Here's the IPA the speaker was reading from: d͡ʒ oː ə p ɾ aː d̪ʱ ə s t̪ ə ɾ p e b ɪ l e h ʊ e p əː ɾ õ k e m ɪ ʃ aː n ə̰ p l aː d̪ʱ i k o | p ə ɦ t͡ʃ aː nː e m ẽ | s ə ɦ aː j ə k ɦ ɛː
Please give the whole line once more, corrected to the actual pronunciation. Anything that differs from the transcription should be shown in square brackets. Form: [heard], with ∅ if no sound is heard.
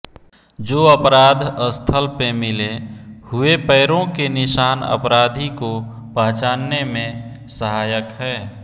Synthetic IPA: d͡ʒ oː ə p ɾ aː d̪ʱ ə s [t̪ʰ] ə [l] p e [m] ɪ l e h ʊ e p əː ɾ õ k e [n] ɪ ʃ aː n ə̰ p [ɾ] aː d̪ʱ i k o | p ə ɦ t͡ʃ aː nː e m ẽ | s ə ɦ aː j ə k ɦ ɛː